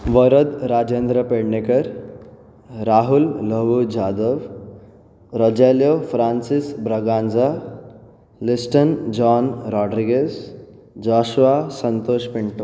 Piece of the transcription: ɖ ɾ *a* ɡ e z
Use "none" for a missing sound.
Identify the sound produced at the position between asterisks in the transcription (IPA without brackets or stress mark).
i